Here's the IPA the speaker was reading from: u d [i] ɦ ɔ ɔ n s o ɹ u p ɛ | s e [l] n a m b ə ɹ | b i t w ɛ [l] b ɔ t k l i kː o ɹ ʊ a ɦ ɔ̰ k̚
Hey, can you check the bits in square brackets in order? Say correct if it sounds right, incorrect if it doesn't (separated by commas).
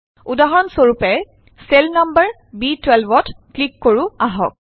incorrect, correct, correct